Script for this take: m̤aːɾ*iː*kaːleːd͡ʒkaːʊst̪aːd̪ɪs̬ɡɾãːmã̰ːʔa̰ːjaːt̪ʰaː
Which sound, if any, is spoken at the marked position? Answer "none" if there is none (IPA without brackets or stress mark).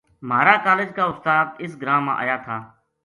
aː